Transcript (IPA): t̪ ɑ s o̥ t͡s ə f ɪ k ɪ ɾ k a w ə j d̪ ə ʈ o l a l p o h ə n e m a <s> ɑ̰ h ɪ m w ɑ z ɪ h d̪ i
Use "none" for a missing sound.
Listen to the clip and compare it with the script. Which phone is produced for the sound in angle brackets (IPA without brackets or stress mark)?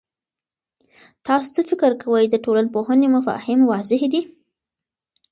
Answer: f